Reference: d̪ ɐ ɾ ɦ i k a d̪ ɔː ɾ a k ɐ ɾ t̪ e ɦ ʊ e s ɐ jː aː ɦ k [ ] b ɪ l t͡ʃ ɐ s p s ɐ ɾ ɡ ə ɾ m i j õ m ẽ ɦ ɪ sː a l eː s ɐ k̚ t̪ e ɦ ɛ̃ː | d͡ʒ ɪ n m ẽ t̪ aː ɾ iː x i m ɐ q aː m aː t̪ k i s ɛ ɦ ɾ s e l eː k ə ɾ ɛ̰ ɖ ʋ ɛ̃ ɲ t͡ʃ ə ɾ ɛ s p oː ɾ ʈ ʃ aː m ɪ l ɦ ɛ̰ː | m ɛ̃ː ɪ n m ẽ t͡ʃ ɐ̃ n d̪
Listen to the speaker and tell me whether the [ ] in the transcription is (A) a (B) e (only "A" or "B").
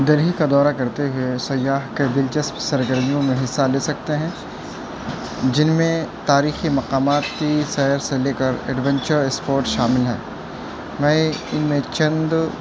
B